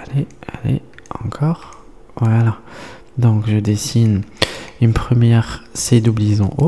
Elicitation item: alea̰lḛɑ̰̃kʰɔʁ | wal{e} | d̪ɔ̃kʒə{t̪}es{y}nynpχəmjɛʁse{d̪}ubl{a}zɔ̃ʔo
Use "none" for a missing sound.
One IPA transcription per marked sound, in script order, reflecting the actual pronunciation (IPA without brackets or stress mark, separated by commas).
a, d̪, i, d̪, i